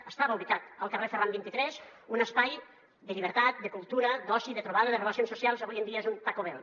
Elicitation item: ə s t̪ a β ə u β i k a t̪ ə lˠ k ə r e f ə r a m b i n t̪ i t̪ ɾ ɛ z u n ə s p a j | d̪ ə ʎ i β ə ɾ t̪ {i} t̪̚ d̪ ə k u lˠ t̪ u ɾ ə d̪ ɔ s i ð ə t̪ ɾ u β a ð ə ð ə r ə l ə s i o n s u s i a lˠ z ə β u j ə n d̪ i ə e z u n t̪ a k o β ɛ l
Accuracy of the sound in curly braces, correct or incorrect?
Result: incorrect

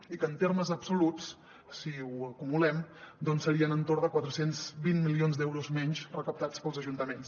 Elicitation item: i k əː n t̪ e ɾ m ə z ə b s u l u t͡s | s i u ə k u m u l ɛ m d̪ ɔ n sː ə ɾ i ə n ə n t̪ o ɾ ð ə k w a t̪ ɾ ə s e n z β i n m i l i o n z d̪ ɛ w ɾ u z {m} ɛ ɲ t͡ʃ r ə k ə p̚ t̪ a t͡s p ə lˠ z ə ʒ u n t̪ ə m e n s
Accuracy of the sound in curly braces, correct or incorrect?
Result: correct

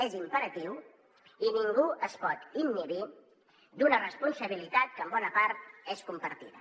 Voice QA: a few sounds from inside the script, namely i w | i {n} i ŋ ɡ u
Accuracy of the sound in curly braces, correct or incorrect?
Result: correct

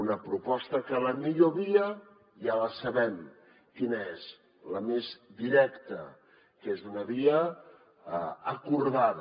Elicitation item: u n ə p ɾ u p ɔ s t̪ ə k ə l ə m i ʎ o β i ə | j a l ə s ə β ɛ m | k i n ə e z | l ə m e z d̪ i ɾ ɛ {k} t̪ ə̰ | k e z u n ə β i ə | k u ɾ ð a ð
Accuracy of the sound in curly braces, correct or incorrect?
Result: correct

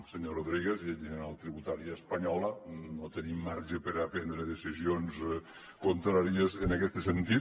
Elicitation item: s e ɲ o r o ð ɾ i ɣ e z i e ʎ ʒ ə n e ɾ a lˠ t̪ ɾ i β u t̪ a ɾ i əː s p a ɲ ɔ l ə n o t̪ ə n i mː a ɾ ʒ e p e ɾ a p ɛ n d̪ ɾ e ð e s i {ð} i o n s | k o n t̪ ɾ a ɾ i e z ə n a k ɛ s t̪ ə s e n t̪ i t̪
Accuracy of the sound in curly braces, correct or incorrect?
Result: incorrect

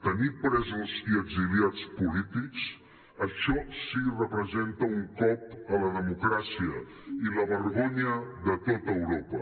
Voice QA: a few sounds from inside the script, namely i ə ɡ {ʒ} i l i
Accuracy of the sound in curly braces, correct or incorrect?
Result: incorrect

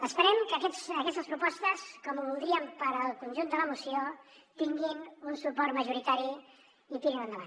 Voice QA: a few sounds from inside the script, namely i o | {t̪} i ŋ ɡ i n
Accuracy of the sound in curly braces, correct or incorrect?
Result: correct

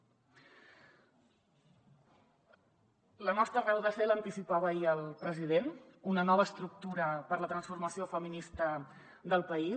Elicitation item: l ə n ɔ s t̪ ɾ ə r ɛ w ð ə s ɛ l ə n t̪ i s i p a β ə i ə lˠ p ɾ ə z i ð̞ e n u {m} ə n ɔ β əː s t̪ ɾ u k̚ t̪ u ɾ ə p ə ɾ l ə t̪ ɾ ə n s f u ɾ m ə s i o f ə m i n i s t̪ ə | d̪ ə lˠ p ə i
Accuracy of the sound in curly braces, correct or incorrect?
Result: incorrect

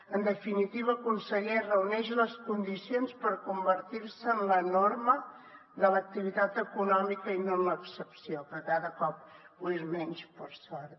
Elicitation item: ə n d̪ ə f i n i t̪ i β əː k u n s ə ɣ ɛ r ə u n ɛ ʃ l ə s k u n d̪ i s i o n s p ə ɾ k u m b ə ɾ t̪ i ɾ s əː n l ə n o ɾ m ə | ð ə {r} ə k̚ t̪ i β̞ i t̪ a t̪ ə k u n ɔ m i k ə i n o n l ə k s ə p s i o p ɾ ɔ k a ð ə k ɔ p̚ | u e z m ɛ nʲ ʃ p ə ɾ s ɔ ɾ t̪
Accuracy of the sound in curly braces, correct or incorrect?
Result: incorrect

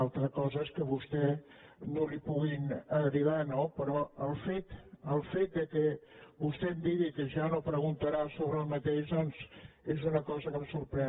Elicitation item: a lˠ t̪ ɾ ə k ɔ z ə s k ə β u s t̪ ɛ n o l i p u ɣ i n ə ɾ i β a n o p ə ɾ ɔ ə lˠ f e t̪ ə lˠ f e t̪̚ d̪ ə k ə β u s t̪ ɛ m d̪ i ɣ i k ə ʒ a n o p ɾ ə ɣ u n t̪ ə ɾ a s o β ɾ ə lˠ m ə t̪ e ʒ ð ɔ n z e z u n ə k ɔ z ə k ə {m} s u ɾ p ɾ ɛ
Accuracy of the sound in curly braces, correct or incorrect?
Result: correct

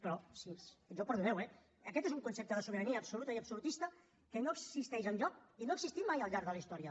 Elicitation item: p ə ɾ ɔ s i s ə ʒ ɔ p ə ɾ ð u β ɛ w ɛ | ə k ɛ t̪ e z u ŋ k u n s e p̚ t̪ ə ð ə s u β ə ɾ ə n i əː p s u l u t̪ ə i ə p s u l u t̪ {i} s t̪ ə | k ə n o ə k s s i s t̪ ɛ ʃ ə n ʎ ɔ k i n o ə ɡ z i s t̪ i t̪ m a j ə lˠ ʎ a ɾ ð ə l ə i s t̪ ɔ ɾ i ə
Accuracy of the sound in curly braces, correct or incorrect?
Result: correct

